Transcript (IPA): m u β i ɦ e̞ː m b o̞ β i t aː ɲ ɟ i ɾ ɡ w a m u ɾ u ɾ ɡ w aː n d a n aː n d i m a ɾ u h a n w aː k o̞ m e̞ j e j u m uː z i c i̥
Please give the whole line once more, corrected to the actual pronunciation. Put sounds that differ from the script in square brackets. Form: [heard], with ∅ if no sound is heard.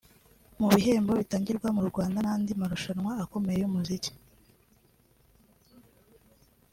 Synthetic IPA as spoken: m u β i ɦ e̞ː m b o̞ β i t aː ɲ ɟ i ɾ ɡ w a m u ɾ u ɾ ɡ w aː n d a n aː n d i m a ɾ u [ʃ] a n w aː k o̞ m e̞ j e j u m [u] z i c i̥